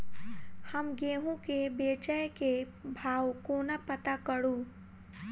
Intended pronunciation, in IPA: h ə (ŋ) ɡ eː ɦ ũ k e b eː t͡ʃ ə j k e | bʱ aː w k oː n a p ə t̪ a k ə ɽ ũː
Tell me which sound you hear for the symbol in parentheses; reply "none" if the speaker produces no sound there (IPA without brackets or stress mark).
m